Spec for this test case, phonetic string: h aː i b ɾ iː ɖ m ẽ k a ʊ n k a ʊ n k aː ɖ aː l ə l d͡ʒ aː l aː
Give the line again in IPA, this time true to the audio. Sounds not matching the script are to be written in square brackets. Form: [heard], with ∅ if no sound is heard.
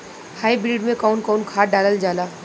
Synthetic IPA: h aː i b ɾ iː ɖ m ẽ k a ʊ n k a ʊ n [kʰ] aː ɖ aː l ə l d͡ʒ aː l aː